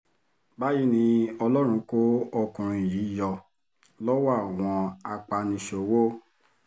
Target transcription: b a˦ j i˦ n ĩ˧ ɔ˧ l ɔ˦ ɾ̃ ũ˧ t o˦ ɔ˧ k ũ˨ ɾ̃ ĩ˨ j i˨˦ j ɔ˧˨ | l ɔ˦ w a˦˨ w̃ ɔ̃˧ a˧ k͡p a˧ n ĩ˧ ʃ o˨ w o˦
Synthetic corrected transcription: b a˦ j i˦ n ĩ˧ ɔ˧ l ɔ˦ ɾ̃ ũ˧ k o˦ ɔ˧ k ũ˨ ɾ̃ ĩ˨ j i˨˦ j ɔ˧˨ | l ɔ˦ w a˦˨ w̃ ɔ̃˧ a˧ k͡p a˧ n ĩ˧ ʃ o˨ w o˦